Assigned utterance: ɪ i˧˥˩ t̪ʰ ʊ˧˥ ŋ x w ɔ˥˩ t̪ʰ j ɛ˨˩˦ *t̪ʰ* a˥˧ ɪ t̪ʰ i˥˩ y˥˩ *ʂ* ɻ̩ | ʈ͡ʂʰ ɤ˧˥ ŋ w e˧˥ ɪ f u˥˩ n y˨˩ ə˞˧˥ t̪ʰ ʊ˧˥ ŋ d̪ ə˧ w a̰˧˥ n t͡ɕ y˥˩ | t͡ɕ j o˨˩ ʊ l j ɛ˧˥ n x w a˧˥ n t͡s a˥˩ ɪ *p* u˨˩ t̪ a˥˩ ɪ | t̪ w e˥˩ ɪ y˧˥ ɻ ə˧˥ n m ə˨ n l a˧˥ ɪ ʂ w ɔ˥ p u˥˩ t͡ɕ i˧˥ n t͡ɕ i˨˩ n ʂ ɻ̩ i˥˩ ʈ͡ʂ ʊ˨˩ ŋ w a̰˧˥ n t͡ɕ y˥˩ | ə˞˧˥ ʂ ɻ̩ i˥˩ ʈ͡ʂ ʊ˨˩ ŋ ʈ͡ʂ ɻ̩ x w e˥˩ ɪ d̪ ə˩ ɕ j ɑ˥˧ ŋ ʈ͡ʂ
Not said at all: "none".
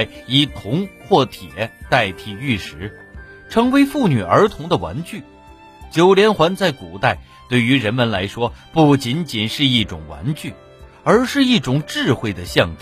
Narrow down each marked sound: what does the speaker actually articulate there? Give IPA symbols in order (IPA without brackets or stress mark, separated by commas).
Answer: t̪, ʂ, k